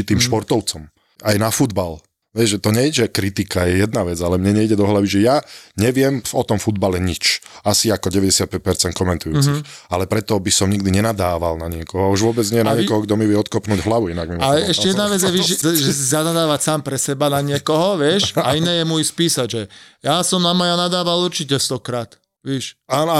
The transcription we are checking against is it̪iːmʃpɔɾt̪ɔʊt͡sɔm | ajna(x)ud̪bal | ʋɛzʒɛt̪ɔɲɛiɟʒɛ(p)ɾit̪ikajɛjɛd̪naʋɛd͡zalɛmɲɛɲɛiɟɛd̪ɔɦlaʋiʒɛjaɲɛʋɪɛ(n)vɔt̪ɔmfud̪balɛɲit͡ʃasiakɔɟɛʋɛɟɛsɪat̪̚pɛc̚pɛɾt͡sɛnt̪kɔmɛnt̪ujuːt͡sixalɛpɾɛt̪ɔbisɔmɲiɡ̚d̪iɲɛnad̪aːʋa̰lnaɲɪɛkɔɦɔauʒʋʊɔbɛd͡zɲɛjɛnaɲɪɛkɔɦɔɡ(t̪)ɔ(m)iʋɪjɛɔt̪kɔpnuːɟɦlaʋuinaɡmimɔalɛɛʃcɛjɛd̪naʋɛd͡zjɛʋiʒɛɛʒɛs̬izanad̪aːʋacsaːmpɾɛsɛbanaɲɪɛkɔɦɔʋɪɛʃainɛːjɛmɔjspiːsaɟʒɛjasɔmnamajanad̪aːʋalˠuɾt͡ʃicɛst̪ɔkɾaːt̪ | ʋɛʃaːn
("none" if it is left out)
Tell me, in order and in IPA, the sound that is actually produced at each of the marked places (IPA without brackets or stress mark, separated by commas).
f, k, m, d̪, m